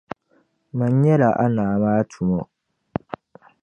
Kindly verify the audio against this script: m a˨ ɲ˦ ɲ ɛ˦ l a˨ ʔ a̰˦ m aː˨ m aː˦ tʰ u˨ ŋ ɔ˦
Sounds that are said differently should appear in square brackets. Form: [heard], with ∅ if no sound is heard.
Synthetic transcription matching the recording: m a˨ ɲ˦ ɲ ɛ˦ l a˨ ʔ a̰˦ [n] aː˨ m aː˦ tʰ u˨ [m] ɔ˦